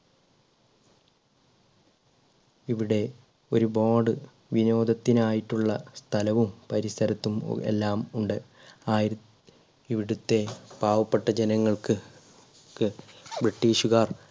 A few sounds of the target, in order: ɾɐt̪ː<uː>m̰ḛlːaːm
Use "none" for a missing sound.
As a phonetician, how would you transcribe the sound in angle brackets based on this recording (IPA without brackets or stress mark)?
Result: u